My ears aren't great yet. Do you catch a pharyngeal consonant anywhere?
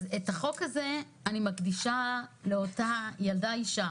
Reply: no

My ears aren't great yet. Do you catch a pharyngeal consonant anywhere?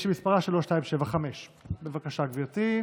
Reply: no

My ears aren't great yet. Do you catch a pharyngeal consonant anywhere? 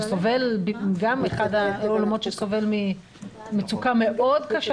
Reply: no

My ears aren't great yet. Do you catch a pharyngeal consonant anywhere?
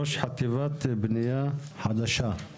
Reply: yes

